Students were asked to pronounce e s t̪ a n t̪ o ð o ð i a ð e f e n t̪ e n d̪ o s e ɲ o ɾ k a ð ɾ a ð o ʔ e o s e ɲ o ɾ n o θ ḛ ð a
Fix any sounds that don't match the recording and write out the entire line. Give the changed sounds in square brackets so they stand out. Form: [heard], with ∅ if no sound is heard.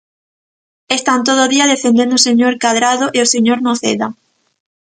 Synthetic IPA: e s t̪ a n t̪ o ð o ð i a ð e f e n [d̪] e n d̪ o s e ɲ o ɾ k a ð ɾ a ð o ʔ e o s e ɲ o ɾ n o θ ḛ ð a